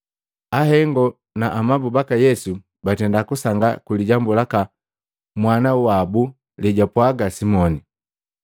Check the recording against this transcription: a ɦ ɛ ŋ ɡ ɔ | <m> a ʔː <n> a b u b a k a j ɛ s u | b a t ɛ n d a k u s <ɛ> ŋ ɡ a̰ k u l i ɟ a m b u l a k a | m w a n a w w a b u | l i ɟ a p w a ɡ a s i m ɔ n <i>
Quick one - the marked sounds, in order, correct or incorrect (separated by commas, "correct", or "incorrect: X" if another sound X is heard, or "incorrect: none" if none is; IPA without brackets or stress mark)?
incorrect: n, incorrect: m, incorrect: a, correct